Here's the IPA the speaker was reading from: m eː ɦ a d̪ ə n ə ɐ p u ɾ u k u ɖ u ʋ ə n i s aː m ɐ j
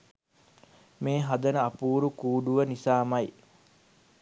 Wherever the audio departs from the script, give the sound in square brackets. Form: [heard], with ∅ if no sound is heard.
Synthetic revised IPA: m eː ɦ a d̪ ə n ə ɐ p [uː] ɾ u k [uː] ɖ u ʋ ə n i s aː m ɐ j

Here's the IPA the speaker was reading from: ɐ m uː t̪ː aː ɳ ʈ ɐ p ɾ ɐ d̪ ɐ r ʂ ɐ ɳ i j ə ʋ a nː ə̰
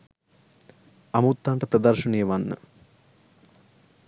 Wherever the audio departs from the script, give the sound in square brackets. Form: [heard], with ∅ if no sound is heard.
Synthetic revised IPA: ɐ m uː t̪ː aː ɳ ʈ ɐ p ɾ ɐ d̪ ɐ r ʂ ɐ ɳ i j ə ʋ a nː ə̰

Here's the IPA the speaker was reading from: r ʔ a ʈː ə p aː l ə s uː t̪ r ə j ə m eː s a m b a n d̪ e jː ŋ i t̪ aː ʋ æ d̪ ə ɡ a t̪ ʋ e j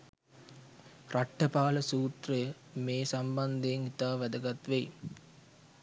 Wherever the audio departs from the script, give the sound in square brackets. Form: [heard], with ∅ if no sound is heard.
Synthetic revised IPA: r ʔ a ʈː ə p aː l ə s uː t̪ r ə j ə m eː s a m b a n d̪ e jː ŋ i t̪ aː ʋ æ d̪ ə ɡ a t̪ ʋ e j

